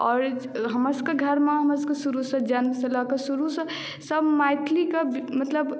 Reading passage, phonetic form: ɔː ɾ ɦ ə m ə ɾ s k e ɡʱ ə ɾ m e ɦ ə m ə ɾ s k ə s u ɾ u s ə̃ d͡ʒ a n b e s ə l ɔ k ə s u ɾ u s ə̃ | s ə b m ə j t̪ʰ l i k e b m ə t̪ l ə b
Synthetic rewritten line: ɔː ɾ ɦ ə m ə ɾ s k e ɡʱ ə ɾ m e ɦ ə m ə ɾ s k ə s u ɾ u s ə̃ d͡ʒ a n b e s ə l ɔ k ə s u ɾ u s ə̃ | s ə b m a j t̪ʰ l i k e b m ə t̪ l ə b